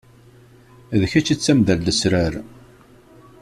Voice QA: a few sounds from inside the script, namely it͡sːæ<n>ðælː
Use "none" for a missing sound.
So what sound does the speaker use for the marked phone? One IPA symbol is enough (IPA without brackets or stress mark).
m